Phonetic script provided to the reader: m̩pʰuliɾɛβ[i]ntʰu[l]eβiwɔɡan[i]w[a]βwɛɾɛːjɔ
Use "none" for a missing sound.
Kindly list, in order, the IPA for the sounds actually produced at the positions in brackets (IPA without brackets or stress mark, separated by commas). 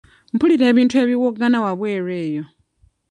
i, none, a, a